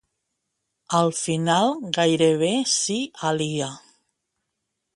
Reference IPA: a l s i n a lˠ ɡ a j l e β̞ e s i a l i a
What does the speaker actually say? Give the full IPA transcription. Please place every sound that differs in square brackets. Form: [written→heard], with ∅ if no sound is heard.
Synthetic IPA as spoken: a l [s→f] i n a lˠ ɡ a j [l→ɾ] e β̞ e s i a l i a

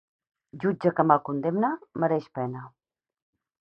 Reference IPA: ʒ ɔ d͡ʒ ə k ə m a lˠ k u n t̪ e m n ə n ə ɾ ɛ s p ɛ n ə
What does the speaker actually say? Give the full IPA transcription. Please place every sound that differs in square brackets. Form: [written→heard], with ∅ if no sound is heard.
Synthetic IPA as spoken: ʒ [ɔ→u] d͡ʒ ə k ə m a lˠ k u n [t̪→d̪] e m n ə [n→m] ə ɾ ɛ [s→ʃ] p ɛ n ə

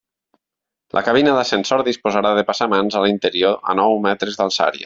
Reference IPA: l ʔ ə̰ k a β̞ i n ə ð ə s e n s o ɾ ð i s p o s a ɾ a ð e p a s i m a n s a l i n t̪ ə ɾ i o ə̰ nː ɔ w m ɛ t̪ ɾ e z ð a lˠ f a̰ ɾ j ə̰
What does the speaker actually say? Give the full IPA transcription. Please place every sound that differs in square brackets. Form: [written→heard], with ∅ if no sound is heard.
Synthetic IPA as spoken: l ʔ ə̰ k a β̞ i n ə ð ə s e n s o ɾ ð i s p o [s→z] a ɾ a ð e p a s [i→a] m a n [s→z] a l i n t̪ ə ɾ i o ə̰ [nː→n] ɔ w m ɛ t̪ ɾ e z ð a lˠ [f→s] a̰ ɾ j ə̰

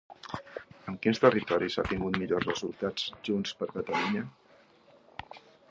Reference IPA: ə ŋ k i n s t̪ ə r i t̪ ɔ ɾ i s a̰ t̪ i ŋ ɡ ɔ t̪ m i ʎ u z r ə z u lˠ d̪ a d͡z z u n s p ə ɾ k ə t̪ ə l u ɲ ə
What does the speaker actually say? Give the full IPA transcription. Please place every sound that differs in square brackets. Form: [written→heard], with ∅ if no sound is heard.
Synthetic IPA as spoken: ə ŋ k i n s t̪ ə r i t̪ ɔ ɾ i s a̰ t̪ i ŋ ɡ [ɔ→u] t̪ m i ʎ [u→o] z r ə z u lˠ [d̪→t̪] a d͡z [z→ʒ] u n s p ə ɾ k ə t̪ ə l u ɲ ə

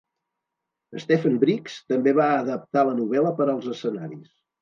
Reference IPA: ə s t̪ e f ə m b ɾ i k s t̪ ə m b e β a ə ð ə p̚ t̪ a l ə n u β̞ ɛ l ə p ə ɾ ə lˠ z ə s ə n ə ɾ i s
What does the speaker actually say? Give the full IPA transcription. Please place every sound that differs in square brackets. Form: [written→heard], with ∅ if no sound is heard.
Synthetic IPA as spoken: ə s t̪ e f ə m b ɾ i k s t̪ ə m b e β a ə ð ə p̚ t̪ a l ə n u β̞ ɛ l ə p ə ɾ ə lˠ z ə s ə n [ə→a] ɾ i s

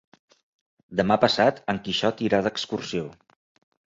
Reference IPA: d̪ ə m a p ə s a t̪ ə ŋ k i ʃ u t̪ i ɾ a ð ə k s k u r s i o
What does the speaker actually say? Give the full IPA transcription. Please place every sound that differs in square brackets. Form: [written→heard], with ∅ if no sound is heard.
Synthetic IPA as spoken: d̪ ə m a p ə s a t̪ ə ŋ k i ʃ [u→ɔ] t̪ i ɾ a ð ə k s k u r s i o

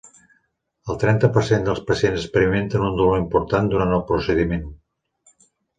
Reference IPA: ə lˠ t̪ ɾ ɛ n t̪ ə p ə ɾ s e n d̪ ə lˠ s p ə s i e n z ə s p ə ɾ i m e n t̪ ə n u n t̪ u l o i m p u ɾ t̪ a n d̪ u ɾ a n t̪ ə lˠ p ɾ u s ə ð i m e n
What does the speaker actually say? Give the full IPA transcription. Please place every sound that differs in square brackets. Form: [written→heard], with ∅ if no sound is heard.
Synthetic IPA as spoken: ə lˠ t̪ ɾ ɛ n t̪ ə p ə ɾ s e n d̪ ə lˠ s p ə s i e n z ə s p ə ɾ i m e n t̪ ə n u n [t̪→d̪] u l o i m p u ɾ t̪ a n d̪ u ɾ a n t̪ ə lˠ p ɾ u s ə ð i m e n

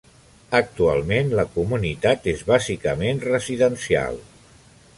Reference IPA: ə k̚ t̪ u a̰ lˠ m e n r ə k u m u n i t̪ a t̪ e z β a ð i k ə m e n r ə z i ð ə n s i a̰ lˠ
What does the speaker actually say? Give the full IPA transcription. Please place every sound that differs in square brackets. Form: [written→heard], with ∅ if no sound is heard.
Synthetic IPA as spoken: ə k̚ t̪ u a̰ lˠ m e n [r→l] ə k u m u n i t̪ a t̪ e z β a [ð→z] i k ə m e n r ə z i ð ə n s i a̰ lˠ

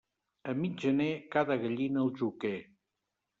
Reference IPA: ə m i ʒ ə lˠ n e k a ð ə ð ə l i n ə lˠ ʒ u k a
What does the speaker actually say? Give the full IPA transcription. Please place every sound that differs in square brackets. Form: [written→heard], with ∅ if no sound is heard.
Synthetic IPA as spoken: ə m i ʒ ə [lˠ→∅] n e k a ð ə [ð→ɣ] ə [l→ʎ] i n ə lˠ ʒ u k [a→e]

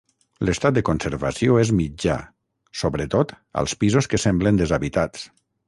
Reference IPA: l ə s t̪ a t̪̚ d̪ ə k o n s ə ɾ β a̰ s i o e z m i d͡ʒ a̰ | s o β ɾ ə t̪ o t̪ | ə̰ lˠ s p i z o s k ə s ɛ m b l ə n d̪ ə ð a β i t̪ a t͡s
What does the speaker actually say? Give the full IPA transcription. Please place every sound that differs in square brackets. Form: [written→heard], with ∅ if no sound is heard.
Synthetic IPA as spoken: l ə s t̪ a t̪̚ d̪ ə k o n s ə ɾ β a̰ s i o e z m i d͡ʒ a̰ | s o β ɾ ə t̪ o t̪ | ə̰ lˠ s p i z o s k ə s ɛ m b l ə n d̪ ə [ð→z] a β i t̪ a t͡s

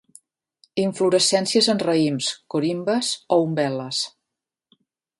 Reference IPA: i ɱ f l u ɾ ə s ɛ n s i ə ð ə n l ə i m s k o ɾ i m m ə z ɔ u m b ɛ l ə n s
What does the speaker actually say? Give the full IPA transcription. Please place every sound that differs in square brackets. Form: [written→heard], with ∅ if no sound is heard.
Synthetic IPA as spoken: i ɱ f l u ɾ ə s ɛ n s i ə [ð→z] ə n [l→r] ə i m s k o ɾ i m [m→b] ə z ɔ u m b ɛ l ə [n→∅] s

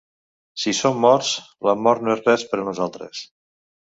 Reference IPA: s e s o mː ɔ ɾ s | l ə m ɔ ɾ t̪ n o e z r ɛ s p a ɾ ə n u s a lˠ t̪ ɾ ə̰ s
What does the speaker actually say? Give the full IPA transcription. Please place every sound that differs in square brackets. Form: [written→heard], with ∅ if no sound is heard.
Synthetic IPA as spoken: s [e→i] s o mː ɔ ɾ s | l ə m ɔ ɾ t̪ n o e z r ɛ s p [a→ə] ɾ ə n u [s→z] a lˠ t̪ ɾ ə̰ s

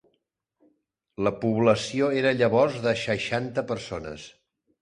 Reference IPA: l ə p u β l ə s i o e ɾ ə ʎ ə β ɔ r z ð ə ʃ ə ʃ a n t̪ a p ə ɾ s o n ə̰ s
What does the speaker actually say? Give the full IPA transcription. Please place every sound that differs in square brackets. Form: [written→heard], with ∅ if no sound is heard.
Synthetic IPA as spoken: l ə p u β l ə s i o e ɾ ə ʎ ə β ɔ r z ð ə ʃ ə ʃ a n t̪ [a→ə] p ə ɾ s o n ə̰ s

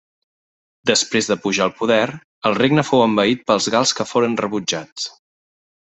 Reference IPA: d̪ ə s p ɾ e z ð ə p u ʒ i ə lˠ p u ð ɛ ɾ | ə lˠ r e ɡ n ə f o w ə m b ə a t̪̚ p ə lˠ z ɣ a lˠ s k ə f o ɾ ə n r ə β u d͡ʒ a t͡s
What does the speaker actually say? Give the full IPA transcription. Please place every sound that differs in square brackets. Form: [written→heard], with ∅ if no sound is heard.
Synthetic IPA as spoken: d̪ ə s p ɾ e z ð ə p u ʒ [i→a] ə lˠ p u ð ɛ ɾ | ə lˠ r e ɡ n ə f o w ə m b ə [a→i] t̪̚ p ə lˠ z ɣ a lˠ s k ə f o ɾ ə n r ə β u d͡ʒ a t͡s

